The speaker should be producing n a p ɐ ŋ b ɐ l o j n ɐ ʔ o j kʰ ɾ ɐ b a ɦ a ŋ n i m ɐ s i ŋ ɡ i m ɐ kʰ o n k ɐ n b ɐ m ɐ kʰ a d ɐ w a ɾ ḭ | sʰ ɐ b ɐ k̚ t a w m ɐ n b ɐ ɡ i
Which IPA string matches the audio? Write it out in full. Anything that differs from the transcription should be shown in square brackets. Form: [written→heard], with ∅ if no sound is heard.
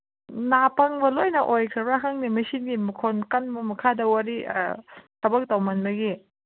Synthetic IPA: n a p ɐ ŋ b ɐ l o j n ɐ ʔ o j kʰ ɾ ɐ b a ɦ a ŋ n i m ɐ s i [ŋ→n] ɡ i m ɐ kʰ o n k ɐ n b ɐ m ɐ kʰ a d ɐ w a ɾ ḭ | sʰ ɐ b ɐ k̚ t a w m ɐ n b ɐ ɡ i